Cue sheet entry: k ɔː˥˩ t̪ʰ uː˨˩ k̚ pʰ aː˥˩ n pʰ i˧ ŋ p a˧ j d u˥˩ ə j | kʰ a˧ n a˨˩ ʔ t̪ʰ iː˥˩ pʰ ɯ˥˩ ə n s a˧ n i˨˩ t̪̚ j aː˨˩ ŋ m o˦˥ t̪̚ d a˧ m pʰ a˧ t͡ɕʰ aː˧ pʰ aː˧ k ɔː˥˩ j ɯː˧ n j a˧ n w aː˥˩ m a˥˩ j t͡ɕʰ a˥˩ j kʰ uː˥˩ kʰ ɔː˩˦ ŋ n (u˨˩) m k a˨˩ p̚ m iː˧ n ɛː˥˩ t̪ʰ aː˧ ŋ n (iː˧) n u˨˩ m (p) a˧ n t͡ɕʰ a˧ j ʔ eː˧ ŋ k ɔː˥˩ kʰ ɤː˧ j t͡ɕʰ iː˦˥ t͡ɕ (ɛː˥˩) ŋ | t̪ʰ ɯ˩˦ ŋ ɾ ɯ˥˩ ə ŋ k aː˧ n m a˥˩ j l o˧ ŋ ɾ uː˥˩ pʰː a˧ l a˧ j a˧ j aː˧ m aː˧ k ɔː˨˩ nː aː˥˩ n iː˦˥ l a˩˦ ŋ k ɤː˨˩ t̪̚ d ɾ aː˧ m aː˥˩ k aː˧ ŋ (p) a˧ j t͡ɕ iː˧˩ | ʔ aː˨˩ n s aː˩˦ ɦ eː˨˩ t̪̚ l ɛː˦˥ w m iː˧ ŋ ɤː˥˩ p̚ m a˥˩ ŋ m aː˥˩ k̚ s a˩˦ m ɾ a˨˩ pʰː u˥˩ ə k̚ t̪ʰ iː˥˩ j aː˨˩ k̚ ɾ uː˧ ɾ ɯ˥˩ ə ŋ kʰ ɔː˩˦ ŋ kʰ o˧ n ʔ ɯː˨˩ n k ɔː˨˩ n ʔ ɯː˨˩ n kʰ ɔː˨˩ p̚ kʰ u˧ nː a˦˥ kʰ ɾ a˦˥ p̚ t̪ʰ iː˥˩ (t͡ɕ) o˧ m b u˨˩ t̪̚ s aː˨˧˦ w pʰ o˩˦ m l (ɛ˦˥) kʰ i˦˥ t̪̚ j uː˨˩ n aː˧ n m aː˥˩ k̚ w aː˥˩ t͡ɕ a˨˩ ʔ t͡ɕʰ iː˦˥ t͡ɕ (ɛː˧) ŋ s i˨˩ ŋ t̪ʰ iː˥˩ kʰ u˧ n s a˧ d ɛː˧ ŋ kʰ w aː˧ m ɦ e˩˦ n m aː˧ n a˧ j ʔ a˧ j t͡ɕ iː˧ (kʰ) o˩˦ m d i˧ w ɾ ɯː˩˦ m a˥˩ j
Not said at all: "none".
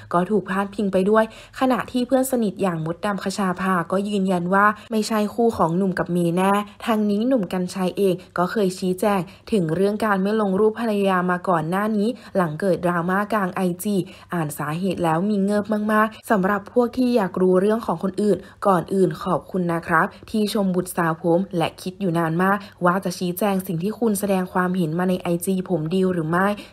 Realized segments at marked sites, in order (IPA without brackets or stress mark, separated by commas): u˨˩, iː˦˥, k, ɛː˧, ʔ, t͡ɕʰ, ɛ˦˥, ɛː˧, pʰ